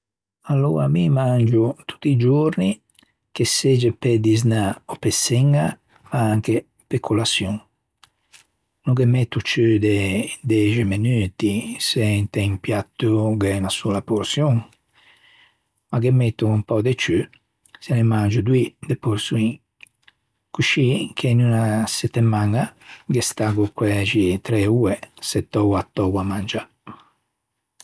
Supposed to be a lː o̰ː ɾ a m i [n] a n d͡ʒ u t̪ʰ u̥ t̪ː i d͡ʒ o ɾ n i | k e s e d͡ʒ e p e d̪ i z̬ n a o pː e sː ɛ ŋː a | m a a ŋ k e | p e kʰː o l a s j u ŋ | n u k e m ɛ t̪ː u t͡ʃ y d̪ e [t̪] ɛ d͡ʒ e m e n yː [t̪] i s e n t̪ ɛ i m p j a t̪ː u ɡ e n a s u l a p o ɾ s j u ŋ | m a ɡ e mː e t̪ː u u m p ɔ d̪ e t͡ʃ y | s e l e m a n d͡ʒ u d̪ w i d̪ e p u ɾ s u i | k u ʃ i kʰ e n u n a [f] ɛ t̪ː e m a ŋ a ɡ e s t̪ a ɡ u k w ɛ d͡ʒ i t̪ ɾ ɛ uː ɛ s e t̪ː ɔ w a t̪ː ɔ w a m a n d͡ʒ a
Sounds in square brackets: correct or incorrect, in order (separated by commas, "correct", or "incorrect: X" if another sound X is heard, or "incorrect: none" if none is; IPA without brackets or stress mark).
incorrect: m, incorrect: d̪, correct, incorrect: s